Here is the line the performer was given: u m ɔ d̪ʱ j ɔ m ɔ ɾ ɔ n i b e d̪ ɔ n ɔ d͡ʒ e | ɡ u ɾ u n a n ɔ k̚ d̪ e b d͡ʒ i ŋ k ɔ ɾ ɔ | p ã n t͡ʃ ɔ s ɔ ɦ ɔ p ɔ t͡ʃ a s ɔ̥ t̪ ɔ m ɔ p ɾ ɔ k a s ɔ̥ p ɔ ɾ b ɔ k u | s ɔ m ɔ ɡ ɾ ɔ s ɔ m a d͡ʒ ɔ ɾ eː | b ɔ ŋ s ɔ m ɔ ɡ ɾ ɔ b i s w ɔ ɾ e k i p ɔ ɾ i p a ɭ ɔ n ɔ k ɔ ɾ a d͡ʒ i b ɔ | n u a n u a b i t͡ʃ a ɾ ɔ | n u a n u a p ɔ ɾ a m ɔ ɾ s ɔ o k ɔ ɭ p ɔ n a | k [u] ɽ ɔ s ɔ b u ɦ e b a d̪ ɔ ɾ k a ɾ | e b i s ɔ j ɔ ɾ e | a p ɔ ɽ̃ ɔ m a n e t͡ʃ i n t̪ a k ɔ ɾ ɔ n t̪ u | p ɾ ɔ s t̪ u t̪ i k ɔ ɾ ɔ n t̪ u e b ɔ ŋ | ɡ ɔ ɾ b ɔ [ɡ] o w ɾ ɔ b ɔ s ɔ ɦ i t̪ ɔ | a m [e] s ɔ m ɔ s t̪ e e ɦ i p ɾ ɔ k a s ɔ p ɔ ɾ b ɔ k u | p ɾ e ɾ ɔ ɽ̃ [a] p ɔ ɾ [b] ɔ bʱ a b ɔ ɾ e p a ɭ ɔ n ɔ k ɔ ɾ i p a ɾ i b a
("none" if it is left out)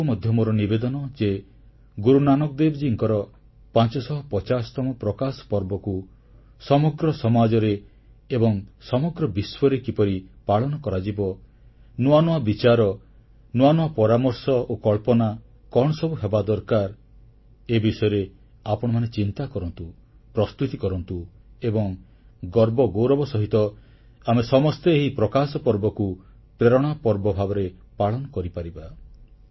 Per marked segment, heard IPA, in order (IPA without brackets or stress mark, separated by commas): ɔ, ɡ, e, a, b